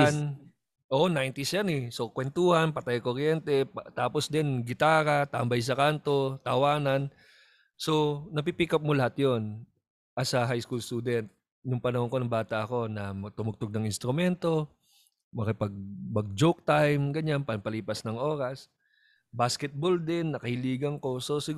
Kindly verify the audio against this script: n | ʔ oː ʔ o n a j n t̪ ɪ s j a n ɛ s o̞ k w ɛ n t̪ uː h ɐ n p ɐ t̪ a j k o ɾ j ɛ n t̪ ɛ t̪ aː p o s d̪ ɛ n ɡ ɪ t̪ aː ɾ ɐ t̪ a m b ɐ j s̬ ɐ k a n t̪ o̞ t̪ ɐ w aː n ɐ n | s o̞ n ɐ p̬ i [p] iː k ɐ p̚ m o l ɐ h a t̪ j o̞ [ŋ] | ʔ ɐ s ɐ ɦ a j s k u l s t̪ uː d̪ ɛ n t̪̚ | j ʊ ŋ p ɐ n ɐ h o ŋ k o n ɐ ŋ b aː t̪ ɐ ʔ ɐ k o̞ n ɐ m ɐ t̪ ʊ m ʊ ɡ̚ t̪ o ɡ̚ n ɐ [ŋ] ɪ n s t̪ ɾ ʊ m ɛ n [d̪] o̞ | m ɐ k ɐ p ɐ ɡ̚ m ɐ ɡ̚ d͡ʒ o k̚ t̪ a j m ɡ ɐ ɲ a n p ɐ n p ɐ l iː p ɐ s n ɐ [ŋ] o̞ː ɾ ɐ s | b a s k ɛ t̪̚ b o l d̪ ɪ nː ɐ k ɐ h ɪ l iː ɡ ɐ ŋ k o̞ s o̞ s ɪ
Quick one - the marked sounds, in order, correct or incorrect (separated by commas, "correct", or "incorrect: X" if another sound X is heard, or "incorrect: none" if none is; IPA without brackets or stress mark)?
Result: correct, incorrect: n, correct, incorrect: t̪, correct